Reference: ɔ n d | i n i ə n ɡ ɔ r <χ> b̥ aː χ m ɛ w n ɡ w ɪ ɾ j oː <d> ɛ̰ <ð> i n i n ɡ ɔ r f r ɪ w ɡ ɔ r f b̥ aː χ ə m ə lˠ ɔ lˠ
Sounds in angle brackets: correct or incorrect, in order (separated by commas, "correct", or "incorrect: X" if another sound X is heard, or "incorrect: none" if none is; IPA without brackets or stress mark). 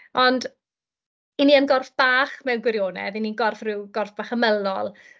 incorrect: f, incorrect: n, correct